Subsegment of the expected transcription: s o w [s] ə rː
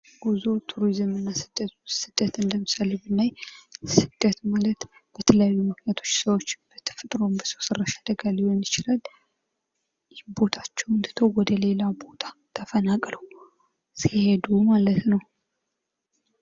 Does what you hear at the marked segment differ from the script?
no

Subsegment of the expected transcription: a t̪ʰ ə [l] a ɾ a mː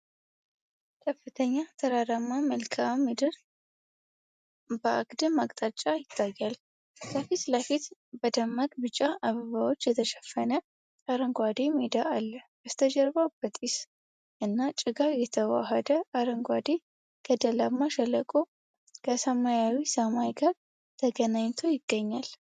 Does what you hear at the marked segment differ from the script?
yes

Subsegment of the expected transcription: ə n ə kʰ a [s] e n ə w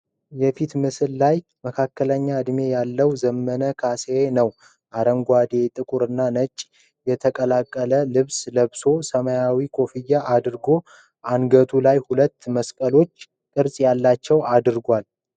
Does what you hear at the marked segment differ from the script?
no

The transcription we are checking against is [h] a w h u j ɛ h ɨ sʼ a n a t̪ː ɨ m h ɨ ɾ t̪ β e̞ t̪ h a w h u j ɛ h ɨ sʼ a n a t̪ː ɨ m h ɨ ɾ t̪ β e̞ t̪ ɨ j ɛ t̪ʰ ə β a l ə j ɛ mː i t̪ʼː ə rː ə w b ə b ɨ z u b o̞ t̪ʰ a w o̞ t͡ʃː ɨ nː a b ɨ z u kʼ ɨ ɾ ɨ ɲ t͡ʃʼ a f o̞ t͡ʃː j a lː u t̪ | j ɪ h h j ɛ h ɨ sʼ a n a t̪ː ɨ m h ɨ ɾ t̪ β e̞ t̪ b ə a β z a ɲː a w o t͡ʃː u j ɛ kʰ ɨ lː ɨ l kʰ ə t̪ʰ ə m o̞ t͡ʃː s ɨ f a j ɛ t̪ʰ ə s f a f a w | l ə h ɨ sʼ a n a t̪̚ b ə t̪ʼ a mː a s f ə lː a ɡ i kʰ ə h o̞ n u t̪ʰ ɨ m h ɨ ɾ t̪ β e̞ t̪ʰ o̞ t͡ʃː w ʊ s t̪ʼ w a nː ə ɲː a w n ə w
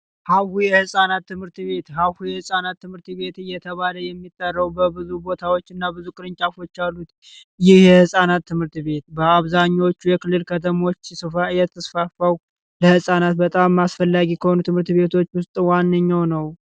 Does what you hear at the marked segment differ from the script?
no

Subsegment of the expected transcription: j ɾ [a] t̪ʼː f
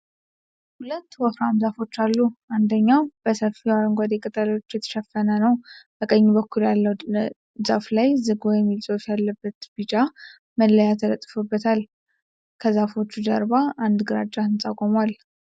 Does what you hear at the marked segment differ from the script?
yes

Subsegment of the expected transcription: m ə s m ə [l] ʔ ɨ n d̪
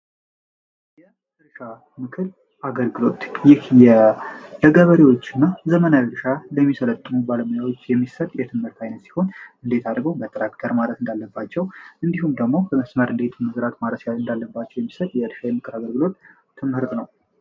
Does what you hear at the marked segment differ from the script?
yes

